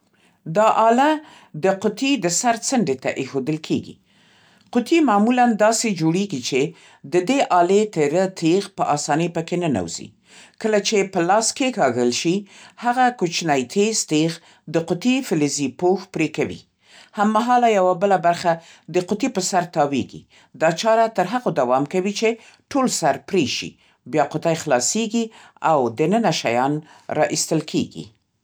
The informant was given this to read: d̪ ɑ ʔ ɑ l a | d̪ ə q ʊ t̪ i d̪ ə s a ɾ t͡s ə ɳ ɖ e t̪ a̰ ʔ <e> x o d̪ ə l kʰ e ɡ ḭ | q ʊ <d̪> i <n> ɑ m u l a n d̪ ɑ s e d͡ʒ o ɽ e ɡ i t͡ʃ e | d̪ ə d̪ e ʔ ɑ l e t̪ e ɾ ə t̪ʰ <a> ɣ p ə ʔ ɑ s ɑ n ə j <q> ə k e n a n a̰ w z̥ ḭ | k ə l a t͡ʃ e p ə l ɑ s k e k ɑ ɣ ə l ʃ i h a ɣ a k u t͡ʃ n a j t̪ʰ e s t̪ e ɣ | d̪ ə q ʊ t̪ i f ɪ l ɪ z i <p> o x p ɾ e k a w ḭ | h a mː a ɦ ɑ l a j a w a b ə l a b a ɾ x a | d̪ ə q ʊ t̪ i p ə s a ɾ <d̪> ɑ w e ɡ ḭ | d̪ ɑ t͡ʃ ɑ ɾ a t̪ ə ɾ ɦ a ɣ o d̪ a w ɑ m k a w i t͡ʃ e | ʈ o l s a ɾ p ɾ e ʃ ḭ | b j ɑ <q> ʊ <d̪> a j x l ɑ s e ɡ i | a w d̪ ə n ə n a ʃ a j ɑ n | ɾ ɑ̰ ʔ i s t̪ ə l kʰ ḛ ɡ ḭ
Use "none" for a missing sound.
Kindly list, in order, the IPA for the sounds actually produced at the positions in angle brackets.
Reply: e, t̪, m, e, p, p, t̪, q, t̪

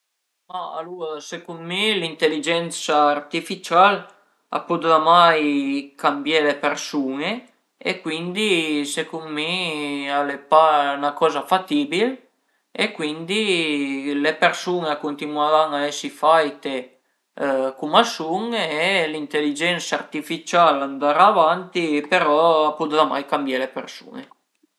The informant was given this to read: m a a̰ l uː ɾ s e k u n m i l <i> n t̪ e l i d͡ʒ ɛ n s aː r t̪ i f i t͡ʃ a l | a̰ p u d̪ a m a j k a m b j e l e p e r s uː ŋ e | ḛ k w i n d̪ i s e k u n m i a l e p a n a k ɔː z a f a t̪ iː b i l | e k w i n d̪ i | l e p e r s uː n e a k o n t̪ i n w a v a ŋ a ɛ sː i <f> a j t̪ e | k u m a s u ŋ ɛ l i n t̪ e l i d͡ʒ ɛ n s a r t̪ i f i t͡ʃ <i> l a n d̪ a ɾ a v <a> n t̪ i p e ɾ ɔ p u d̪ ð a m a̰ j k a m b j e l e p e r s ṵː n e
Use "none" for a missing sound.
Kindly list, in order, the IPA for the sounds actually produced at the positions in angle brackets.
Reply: i, f, a, a

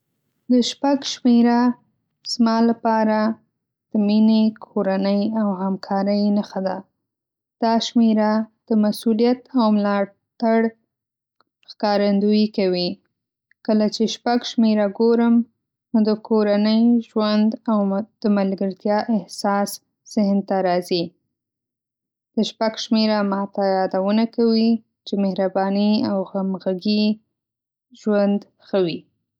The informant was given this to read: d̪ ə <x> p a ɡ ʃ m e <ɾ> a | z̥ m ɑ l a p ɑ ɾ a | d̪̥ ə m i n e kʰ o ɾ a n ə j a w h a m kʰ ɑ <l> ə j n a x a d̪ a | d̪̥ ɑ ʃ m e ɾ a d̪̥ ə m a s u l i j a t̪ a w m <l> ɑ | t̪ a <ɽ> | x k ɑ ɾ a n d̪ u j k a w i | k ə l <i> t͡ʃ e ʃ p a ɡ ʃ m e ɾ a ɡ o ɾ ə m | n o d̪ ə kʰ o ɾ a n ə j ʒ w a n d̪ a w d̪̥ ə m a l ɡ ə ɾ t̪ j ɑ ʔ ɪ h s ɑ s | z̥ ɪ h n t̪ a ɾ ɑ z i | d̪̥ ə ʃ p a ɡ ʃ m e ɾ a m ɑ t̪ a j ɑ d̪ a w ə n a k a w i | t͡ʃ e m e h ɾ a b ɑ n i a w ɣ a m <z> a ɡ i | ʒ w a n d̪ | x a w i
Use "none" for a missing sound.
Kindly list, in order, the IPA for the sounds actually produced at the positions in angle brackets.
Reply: ʃ, ɾ, ɾ, l, ɽ, a, ɣ

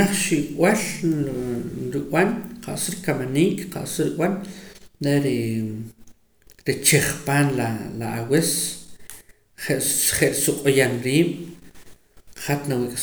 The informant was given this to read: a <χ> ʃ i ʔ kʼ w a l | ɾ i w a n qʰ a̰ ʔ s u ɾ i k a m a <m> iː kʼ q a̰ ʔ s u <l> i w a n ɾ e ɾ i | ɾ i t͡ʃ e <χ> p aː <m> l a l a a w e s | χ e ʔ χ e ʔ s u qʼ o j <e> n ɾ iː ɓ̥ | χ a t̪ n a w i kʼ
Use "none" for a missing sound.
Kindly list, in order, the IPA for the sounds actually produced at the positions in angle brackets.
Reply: χ, n, ɾ, χ, n, a

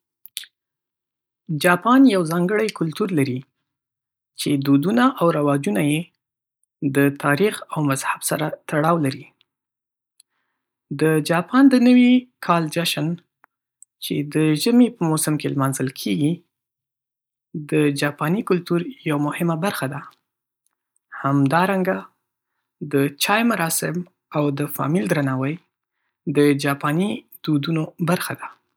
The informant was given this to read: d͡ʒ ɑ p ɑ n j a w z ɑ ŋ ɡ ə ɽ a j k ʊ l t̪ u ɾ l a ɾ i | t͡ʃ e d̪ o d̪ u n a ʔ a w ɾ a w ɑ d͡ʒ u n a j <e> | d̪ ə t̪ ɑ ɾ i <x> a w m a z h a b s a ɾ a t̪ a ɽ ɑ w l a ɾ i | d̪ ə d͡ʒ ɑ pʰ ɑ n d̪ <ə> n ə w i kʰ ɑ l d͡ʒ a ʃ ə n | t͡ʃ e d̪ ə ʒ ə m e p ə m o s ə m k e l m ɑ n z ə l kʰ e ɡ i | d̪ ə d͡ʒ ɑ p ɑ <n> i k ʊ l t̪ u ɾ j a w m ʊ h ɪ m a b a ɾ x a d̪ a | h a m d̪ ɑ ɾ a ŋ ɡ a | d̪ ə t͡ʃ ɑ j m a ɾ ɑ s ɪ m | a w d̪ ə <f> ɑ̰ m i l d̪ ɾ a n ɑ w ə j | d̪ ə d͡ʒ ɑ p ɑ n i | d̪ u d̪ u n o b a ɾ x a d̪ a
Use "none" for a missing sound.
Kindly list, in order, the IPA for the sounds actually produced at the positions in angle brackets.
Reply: e, x, ə, n, f

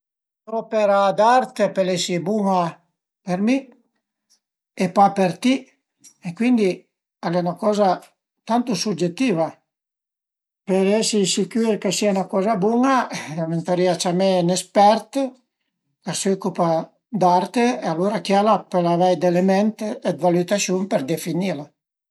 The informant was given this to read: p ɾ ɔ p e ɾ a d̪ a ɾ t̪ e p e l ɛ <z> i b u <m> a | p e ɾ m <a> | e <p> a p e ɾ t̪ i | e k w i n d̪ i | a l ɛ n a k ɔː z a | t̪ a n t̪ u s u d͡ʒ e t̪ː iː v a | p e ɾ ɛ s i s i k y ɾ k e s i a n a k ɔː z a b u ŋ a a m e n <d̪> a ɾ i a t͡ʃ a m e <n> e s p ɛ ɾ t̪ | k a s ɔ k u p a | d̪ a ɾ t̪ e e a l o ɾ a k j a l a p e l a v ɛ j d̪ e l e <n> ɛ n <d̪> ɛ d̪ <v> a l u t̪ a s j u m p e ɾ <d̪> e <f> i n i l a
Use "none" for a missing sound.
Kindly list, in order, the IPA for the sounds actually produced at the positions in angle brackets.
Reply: s, ŋ, i, p, t̪, n, m, t̪, v, d̪, f

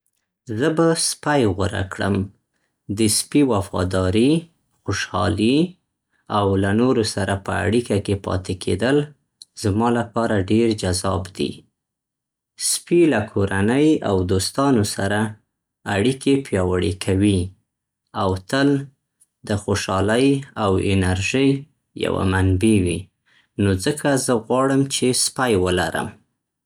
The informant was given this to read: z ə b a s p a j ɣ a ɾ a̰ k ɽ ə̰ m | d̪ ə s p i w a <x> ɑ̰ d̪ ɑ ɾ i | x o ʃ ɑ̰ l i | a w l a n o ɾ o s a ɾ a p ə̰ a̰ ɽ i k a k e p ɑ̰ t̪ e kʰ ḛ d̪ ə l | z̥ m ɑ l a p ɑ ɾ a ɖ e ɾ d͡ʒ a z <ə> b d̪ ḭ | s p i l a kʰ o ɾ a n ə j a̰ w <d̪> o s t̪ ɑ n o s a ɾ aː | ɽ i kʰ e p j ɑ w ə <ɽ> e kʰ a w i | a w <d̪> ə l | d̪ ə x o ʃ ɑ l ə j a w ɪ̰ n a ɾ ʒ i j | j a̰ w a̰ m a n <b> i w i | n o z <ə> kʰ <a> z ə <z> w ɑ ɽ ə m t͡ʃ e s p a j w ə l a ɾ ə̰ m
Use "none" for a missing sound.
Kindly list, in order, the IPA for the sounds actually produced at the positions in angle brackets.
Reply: f, ɑ, d̪, ɽ, t̪, b, ə, a, ɣ

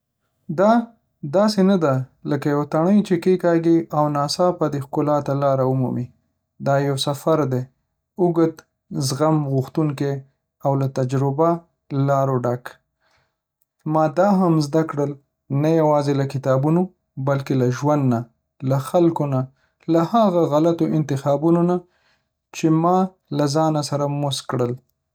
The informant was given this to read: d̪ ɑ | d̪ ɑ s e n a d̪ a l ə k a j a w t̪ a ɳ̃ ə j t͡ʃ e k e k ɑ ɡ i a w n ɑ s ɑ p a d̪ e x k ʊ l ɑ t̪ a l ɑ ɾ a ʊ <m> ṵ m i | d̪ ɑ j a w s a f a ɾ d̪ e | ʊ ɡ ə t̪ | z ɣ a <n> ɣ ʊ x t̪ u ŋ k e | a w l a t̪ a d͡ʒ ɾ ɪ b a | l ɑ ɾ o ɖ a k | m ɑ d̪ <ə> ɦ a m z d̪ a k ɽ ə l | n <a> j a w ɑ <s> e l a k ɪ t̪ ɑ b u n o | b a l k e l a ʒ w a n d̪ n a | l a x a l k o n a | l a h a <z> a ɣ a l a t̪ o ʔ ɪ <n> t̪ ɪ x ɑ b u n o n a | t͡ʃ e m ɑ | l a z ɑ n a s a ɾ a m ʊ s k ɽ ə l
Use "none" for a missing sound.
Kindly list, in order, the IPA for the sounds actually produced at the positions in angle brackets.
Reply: m, m, ɑ, a, z, ɣ, n

